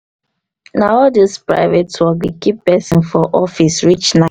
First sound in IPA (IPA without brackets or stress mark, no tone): n